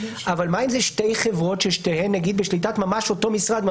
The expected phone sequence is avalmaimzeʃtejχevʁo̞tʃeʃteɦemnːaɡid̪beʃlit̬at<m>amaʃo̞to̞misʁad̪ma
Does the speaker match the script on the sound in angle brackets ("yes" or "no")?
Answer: yes